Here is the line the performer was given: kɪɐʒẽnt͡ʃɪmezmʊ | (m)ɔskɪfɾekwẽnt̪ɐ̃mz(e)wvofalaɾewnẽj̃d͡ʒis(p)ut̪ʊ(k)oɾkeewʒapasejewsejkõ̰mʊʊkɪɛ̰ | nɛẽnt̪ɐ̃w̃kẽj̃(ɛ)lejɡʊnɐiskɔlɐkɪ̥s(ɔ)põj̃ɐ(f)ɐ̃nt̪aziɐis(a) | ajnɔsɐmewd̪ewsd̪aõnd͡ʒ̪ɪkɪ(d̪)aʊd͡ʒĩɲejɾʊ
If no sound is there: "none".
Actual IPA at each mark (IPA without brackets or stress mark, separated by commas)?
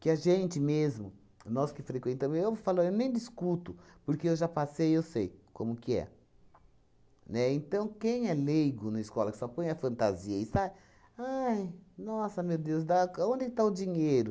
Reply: n, e, k, p, ɛ, ɔ, f, a, t̪